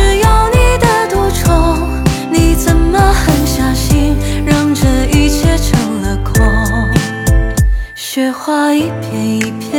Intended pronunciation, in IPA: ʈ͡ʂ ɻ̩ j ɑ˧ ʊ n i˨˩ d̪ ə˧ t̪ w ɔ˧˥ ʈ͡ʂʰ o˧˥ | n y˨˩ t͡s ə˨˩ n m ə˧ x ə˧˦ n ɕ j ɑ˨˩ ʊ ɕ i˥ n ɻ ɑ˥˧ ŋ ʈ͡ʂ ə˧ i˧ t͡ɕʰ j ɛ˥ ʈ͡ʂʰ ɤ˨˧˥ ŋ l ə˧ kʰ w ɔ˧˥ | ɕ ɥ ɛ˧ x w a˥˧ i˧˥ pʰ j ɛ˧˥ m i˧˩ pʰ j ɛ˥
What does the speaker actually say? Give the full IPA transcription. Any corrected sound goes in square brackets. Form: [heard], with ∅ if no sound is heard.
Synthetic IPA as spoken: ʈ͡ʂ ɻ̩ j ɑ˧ ʊ n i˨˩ d̪ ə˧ t̪ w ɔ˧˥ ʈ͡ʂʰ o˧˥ | n [i˨˩] t͡s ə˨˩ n m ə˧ x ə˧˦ n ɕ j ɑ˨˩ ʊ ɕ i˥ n ɻ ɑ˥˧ ŋ ʈ͡ʂ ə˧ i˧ t͡ɕʰ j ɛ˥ ʈ͡ʂʰ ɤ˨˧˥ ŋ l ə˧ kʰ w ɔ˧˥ | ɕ ɥ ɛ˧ x w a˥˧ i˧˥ pʰ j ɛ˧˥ [n] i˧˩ pʰ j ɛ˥